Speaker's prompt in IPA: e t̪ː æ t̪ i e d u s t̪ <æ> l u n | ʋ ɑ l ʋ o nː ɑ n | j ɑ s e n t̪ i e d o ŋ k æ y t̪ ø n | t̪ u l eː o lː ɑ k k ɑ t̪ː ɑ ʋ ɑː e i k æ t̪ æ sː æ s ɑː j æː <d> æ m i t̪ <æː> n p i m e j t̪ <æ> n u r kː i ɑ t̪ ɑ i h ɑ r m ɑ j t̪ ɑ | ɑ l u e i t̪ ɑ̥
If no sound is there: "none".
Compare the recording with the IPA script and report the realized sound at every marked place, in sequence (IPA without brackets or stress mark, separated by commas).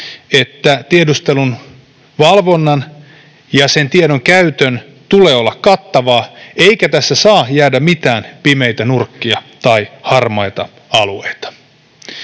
e, d, æː, æ